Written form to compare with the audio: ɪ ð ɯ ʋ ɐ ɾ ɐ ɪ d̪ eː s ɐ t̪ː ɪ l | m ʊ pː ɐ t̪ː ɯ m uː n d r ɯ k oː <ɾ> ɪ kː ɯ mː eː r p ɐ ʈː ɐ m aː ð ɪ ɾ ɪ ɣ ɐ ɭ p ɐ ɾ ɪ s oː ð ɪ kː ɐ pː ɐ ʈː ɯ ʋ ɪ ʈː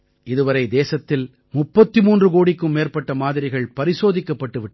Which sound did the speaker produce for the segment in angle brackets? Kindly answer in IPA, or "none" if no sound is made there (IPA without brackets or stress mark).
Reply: ɽ